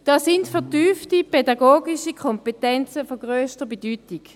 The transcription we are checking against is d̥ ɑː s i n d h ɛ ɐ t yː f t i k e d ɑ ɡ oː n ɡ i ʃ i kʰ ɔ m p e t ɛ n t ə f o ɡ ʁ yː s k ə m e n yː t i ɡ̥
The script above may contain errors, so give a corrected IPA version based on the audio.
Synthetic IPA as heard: d̥ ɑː s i n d f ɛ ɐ t yː f t i p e d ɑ ɡ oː ɡ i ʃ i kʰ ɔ m p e t ɛ n t͡s ə f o ɡ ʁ øː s t ə b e d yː t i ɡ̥